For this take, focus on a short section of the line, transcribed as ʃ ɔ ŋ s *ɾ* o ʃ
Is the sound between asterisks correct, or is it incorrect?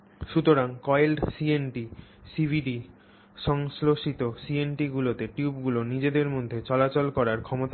incorrect